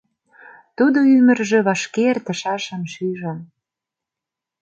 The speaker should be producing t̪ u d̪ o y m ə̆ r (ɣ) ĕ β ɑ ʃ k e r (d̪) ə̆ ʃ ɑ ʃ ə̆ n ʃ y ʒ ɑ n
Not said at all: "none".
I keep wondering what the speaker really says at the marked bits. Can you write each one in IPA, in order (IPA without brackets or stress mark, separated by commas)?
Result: ʒ, t̪